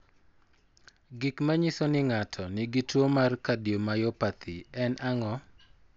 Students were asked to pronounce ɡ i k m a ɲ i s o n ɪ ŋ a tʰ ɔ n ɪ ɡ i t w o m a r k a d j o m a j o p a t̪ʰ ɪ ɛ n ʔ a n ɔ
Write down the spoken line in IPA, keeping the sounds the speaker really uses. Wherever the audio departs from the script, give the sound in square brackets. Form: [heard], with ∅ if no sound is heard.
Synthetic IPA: ɡ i k m a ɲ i s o n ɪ ŋ a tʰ ɔ n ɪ ɡ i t w o m a r k a d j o m a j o p a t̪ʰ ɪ ɛ n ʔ a [ŋ] ɔ